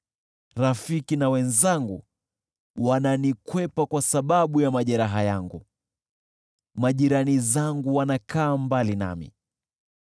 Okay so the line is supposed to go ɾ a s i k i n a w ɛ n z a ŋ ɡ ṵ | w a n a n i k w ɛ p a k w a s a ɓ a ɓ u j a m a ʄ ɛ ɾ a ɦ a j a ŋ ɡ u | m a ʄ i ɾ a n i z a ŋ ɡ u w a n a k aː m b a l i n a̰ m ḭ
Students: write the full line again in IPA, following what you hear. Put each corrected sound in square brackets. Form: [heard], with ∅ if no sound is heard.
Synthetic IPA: ɾ a [f] i k i n a w ɛ n z a ŋ ɡ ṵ | w a n a n i k w ɛ p a k w a s a ɓ a ɓ u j a m a ʄ ɛ ɾ a ɦ a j a ŋ ɡ u | m a ʄ i ɾ a n i z a ŋ ɡ u w a n a k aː m b a l i n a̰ m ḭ